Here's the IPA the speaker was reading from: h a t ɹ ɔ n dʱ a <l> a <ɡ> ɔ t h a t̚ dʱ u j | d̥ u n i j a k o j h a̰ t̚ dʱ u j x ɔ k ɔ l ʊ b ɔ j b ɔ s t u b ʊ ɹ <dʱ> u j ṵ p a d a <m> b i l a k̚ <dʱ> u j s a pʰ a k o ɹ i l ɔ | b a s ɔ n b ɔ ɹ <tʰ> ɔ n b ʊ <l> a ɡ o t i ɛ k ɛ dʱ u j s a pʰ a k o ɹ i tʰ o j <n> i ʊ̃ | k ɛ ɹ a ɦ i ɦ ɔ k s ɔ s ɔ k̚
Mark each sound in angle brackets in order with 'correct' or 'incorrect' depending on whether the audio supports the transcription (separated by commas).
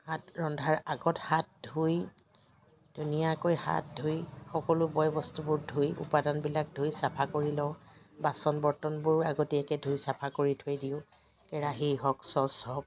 incorrect, correct, correct, incorrect, correct, incorrect, incorrect, incorrect